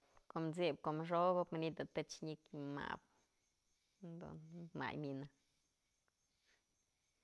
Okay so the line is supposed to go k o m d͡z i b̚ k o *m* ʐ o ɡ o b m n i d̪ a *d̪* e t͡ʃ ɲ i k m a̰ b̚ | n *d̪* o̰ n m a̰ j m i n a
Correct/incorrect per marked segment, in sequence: correct, incorrect: t̪, correct

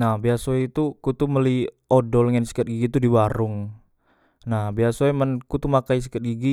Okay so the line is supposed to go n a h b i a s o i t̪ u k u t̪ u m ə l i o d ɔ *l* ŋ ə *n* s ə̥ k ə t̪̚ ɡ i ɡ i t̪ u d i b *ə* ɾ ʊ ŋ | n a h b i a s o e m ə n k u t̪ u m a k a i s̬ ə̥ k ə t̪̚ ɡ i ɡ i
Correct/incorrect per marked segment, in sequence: correct, correct, incorrect: a

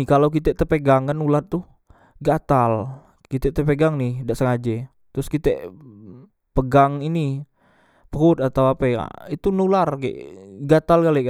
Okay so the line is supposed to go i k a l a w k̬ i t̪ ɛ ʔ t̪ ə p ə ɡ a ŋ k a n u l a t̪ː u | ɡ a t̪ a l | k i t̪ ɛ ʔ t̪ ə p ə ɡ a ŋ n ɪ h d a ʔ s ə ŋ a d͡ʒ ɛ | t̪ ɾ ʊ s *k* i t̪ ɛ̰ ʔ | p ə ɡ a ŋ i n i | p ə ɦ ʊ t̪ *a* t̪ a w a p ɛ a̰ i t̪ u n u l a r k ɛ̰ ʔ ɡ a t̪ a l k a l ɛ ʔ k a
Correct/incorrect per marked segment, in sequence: correct, correct

